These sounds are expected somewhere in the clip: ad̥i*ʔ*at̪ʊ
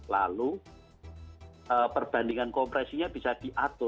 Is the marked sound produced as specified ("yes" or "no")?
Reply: yes